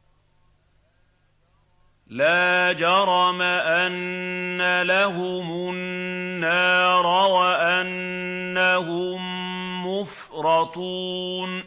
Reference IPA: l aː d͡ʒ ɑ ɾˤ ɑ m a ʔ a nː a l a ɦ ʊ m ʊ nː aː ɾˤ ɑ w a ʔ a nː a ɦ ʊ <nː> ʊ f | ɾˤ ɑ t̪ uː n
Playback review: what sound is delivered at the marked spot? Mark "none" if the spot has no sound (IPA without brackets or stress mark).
mː